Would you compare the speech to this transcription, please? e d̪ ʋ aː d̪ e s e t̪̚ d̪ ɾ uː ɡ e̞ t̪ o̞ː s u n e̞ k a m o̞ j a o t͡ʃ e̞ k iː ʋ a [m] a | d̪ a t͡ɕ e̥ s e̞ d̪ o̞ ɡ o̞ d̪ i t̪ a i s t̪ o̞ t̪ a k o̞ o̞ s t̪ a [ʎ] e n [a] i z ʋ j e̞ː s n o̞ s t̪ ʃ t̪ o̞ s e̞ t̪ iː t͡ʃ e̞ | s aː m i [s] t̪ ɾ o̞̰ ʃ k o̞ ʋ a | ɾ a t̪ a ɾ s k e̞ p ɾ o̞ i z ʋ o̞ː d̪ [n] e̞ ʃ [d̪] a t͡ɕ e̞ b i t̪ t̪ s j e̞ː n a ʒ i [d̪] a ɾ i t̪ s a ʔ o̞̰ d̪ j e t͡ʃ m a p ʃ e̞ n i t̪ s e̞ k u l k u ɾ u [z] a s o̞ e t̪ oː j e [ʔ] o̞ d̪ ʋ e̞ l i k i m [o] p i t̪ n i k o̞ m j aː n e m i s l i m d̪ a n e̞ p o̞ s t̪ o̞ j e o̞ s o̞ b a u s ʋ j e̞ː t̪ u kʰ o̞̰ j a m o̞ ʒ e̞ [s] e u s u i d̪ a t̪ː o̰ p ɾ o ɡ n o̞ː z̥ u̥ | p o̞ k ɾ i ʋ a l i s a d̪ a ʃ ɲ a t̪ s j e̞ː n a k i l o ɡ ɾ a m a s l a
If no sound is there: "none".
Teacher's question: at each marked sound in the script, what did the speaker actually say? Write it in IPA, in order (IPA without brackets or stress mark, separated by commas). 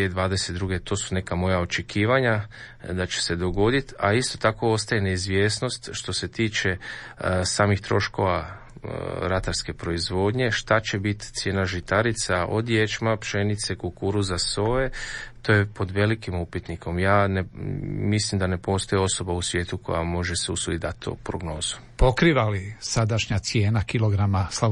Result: ɲ, j, e, x, ɲ, t̪, t̪, z, p, u, s